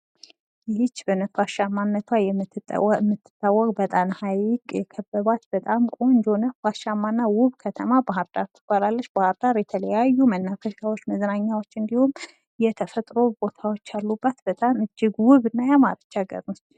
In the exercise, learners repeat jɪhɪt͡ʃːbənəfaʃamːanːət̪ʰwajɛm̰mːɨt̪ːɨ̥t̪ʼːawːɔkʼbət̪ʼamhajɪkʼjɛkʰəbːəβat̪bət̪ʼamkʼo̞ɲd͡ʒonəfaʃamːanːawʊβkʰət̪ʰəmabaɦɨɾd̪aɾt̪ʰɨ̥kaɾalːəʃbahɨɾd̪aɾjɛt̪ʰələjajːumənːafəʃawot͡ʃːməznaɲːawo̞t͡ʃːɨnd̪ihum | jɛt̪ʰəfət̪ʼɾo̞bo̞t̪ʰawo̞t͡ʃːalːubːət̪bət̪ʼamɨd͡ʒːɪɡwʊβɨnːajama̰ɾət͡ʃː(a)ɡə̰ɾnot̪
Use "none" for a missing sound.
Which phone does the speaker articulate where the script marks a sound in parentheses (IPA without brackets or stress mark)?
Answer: a